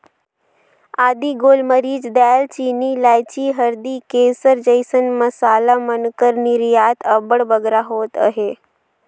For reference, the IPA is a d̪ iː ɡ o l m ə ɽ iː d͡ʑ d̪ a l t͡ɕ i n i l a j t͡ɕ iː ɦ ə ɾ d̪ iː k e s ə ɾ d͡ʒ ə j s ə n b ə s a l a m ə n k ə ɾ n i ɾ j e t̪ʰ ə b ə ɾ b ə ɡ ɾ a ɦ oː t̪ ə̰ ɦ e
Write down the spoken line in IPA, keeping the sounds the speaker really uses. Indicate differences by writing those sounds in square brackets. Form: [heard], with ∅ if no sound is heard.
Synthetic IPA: a d̪ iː ɡ o l m ə [ɾ] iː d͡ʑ d̪ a l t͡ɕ i n i l a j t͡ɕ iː ɦ ə ɾ d̪ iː k e s ə ɾ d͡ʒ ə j s ə n [m] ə s a l a m ə n k ə ɾ n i ɾ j [a] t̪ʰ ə b ə [ɽ] b ə ɡ ɾ a ɦ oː t̪ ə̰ ɦ e

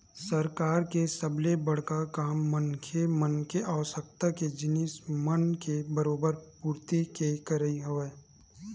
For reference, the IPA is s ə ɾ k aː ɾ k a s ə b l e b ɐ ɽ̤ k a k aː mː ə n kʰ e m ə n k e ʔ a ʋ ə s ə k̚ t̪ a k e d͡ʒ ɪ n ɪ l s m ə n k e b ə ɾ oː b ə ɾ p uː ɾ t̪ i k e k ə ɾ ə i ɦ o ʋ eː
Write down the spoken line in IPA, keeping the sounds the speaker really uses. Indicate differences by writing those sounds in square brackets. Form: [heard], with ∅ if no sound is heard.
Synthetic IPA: s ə ɾ k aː ɾ k [e] s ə b l e b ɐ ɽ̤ k a k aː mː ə n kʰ e m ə n k e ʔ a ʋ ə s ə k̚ t̪ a k e d͡ʒ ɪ n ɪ [∅] s m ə n k e b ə ɾ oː b ə ɾ p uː ɾ t̪ i k e k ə ɾ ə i ɦ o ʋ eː

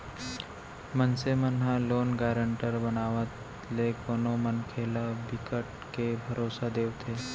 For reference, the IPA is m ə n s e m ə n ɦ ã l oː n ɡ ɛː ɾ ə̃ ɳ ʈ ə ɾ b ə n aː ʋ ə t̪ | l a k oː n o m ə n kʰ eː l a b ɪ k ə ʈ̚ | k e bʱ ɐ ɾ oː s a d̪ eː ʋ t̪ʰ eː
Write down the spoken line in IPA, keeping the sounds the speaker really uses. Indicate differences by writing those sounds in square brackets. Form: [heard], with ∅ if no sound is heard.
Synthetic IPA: m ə n s e m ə n ɦ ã l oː n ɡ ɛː ɾ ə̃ ɳ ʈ ə ɾ b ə n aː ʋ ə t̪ | l [e] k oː n o m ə n kʰ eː l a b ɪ k ə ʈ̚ | k e bʱ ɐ ɾ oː s a d̪ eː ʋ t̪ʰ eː

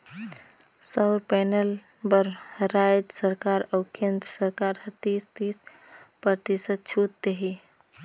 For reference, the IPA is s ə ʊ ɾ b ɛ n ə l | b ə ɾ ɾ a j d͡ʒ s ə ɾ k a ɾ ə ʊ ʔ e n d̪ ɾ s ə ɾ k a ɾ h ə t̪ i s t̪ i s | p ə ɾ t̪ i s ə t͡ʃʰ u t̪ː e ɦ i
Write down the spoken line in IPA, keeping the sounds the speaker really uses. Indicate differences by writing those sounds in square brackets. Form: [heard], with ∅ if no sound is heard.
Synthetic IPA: s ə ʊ ɾ [p] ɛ n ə l | b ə ɾ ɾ a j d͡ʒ s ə ɾ k a ɾ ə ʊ [k] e n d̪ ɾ s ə ɾ k a ɾ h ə t̪ i s t̪ i s | p ə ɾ t̪ i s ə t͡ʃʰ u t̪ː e ɦ i

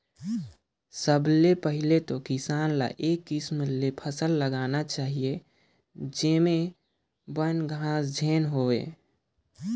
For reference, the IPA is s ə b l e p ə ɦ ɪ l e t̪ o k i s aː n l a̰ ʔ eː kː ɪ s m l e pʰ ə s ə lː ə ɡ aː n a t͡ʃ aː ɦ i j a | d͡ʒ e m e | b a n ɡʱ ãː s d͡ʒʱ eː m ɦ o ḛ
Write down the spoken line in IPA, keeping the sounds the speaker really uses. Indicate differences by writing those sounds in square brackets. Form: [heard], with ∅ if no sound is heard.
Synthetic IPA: s ə b l e p ə ɦ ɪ l e t̪ o k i s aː n l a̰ ʔ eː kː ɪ s m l e pʰ ə s ə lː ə ɡ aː n a t͡ʃ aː ɦ i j [e] | d͡ʒ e m e | b [ə] n ɡʱ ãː s d͡ʒʱ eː [n] ɦ o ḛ

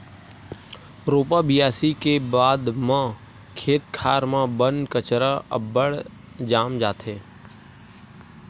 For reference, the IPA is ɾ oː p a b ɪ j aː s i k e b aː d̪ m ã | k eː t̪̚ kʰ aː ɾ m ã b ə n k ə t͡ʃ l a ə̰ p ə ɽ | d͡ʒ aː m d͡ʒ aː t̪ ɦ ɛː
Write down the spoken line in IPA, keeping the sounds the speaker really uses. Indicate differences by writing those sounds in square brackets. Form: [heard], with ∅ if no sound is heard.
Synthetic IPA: ɾ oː p a b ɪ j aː s i k e b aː d̪ m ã | [kʰ] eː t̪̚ kʰ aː ɾ m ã b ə n k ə t͡ʃ [ɾ] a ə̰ [b] ə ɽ | d͡ʒ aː m d͡ʒ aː t̪ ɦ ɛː

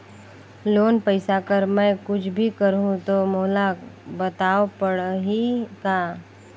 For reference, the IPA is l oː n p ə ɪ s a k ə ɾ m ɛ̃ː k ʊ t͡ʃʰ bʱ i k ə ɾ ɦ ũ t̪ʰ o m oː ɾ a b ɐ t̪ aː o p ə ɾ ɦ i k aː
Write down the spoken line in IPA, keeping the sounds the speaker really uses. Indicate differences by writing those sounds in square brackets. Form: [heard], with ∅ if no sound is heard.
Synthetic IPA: l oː n p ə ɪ s a k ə ɾ m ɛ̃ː k ʊ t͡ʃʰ bʱ i k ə ɾ ɦ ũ [t̪] o m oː [l] a b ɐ t̪ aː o p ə [ɽ] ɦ i k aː

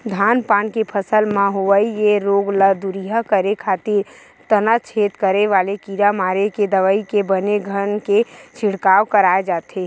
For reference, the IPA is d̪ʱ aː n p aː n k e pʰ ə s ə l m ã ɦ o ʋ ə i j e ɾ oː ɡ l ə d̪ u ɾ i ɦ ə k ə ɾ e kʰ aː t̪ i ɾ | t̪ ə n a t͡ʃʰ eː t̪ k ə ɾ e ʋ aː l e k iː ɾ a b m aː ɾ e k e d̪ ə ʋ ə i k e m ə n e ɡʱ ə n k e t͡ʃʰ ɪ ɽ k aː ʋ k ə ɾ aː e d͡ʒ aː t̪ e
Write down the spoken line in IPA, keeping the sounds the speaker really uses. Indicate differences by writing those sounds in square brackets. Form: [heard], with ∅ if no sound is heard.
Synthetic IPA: d̪ʱ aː n p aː n k e pʰ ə s ə l m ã ɦ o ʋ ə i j e ɾ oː ɡ l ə d̪ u ɾ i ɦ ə k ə ɾ e kʰ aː t̪ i ɾ | t̪ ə n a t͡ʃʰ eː t̪ k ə ɾ e ʋ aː l e k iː ɾ a [∅] m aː ɾ e k e d̪ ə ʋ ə i k e [b] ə n e ɡʱ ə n k e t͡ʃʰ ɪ ɽ k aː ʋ k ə ɾ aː e d͡ʒ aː t̪ e

